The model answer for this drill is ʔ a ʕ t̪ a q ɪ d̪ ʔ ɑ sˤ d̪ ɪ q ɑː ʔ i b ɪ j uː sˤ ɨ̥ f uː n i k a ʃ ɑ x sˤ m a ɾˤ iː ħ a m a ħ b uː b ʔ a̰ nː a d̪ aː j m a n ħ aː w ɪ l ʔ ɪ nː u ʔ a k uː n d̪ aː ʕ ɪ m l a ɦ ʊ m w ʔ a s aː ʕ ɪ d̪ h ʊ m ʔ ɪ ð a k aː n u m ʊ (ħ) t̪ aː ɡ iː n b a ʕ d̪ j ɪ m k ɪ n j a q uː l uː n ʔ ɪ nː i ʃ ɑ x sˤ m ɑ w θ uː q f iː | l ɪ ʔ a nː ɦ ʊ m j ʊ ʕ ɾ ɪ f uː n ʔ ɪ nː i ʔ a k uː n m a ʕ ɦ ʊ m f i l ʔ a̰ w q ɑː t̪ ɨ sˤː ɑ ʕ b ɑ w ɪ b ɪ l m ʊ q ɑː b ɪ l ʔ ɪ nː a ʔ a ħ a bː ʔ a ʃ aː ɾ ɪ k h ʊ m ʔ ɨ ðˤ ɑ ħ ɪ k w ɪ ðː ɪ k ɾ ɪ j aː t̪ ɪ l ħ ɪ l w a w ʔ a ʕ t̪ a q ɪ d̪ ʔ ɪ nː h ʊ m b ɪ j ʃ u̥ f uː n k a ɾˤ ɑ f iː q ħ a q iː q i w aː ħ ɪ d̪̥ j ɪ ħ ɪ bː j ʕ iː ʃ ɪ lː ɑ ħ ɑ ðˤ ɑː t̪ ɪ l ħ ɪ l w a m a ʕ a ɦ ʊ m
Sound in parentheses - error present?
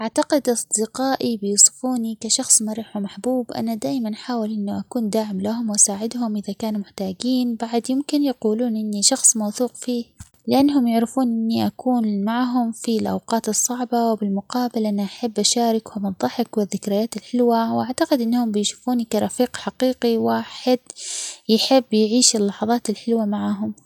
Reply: no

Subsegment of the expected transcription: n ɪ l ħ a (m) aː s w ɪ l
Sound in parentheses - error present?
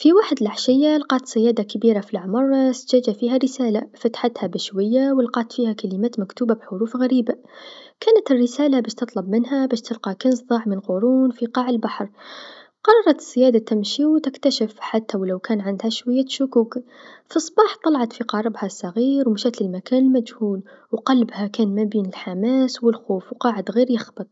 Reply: no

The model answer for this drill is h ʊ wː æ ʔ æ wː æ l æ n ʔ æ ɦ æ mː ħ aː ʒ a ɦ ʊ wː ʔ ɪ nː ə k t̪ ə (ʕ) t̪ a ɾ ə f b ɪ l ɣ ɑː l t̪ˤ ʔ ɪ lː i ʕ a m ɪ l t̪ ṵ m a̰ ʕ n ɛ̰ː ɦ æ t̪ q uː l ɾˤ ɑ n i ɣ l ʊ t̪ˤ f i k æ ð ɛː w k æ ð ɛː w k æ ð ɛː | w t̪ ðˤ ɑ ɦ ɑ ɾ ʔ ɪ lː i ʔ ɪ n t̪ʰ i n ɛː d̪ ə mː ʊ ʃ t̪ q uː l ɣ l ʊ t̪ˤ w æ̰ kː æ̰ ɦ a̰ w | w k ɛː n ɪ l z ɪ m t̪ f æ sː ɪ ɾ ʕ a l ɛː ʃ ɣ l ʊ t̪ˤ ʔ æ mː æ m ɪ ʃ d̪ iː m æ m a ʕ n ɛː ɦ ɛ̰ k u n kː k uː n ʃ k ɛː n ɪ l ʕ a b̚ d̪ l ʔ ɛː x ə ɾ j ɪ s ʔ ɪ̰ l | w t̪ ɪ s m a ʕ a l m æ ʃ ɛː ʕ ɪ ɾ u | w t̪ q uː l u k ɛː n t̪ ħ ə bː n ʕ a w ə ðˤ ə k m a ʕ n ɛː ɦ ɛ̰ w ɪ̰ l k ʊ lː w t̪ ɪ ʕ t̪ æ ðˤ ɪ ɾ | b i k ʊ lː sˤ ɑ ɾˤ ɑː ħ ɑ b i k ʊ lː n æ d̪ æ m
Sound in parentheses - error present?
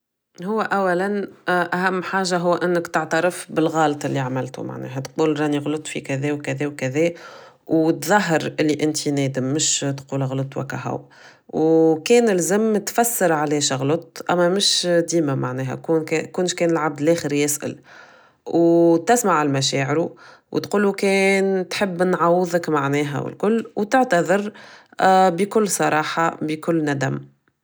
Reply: no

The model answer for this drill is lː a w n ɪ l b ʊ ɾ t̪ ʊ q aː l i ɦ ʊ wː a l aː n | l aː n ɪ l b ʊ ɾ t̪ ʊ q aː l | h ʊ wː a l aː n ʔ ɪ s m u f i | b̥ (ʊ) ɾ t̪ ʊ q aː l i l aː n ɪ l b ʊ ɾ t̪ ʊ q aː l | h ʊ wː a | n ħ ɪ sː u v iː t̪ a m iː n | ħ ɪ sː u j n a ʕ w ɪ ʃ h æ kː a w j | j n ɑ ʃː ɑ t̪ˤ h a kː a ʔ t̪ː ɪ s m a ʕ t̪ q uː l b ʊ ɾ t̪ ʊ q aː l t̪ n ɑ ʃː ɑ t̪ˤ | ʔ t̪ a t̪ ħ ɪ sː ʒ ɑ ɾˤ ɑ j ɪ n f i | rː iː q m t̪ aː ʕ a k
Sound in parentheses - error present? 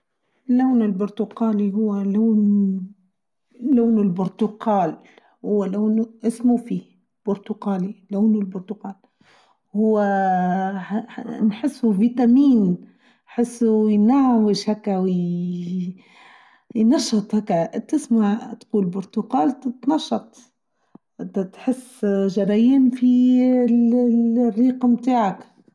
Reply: no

